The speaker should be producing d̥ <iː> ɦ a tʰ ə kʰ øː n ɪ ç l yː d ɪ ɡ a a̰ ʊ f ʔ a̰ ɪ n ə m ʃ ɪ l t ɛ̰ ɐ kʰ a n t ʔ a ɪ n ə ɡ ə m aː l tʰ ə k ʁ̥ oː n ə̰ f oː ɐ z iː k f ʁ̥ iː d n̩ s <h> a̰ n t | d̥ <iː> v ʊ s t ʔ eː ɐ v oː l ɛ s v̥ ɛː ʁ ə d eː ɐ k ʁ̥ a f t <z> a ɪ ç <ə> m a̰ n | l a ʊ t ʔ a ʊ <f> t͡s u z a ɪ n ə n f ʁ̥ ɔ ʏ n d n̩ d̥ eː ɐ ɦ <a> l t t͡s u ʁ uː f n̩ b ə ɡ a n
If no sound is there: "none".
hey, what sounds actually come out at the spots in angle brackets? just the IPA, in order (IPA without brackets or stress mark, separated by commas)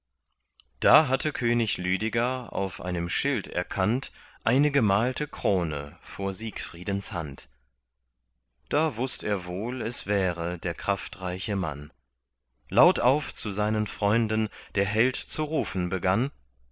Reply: aː, h, aː, ʁ, ə, f, ɛ